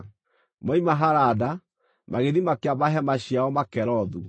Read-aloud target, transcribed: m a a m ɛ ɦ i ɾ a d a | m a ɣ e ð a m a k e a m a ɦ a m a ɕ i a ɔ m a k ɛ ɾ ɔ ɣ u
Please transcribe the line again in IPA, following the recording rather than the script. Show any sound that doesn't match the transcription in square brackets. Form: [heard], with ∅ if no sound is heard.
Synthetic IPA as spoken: m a [i] m [a] ɦ [a] ɾ a d a | m a ɣ e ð [i] m a k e a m a ɦ [ɛ] m a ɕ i a ɔ m a k ɛ ɾ ɔ [ð] u